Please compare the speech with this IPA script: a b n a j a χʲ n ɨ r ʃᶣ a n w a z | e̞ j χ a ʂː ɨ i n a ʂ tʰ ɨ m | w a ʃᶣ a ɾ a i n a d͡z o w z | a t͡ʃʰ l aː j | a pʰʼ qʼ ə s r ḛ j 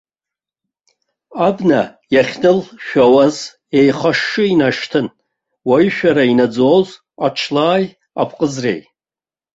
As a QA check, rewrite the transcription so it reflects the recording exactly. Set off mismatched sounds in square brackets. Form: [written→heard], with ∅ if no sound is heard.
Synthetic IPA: a b n a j a χʲ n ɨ [r→l] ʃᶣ a [n→∅] w a z | e̞ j χ a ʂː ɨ i n a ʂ tʰ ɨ [m→n] | w a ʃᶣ a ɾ a i n a d͡z o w z | a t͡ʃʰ l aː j | a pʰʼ qʼ ə [s→z] r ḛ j